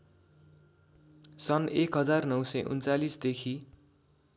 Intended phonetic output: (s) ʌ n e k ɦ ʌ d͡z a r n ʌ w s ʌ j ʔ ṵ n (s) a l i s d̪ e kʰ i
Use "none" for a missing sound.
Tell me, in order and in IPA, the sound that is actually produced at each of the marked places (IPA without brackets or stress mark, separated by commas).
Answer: s, t͡s